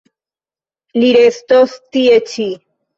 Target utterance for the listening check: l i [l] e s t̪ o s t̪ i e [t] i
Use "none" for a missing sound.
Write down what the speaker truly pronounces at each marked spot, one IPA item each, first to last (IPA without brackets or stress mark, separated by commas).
ɾ, t͡ʃ